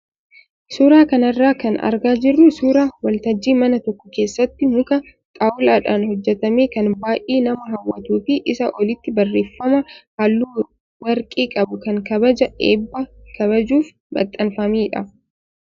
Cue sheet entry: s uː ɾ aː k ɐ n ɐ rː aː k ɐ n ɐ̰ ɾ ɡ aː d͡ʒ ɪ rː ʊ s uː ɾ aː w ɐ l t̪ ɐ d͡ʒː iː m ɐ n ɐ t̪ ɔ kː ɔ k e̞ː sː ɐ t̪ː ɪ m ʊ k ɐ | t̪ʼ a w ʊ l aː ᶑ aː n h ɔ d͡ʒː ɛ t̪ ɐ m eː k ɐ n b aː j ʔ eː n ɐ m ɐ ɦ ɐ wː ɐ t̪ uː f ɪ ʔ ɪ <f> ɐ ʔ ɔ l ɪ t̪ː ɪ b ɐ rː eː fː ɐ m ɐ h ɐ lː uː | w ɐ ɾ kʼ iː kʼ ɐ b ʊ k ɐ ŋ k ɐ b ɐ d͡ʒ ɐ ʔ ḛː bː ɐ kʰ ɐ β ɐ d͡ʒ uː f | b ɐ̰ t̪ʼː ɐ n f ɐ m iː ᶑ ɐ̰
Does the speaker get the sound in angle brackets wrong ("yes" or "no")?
yes